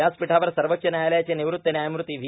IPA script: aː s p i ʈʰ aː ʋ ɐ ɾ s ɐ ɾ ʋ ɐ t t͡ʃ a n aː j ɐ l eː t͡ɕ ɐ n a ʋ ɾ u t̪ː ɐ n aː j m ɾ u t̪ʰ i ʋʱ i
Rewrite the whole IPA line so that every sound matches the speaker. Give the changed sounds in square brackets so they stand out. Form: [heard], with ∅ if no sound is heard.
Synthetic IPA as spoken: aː s p i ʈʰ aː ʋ ɐ ɾ s ɐ ɾ ʋ ɐ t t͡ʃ [ɐ] n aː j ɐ l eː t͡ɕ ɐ n [i] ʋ ɾ u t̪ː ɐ n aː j m ɾ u [t̪] i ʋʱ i